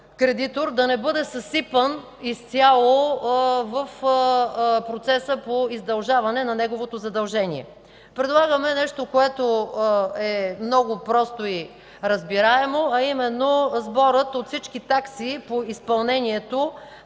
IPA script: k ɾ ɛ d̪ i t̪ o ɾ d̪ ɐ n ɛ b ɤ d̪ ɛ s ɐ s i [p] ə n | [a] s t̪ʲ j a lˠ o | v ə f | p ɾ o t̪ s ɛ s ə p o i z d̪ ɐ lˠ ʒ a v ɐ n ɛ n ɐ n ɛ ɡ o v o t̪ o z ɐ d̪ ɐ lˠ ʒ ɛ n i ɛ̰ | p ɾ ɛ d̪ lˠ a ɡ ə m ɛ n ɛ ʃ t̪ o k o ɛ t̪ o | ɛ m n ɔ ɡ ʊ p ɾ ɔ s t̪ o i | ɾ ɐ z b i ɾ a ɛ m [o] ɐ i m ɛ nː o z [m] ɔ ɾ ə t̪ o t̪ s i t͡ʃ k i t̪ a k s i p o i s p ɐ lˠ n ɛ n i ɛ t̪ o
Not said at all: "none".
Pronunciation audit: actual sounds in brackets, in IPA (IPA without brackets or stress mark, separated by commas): p, i, o, b